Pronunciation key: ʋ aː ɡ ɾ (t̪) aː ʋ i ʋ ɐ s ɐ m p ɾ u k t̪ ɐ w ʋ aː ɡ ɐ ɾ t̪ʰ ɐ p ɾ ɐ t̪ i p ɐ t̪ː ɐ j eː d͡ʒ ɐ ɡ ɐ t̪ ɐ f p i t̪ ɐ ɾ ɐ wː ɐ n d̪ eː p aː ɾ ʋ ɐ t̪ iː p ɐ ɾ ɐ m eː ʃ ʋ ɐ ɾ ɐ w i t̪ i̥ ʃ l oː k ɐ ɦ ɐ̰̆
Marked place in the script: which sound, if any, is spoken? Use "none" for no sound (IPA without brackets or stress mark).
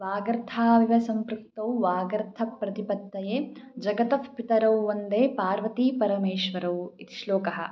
t̪ʰ